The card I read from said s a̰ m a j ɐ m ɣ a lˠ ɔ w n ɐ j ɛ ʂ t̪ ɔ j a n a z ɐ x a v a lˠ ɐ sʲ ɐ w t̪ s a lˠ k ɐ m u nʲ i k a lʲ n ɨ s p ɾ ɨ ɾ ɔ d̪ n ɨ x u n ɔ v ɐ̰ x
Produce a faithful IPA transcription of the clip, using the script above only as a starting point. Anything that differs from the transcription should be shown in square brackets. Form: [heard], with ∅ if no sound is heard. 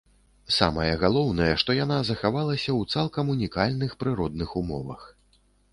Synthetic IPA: s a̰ m [ɐ] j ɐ [∅] ɣ a lˠ ɔ w n ɐ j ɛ ʂ t̪ ɔ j a n a z ɐ x a v a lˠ ɐ sʲ ɐ w t̪ s a lˠ k ɐ m u nʲ i k a lʲ n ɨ [x] p ɾ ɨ ɾ ɔ d̪ n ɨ x u [m] ɔ v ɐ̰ x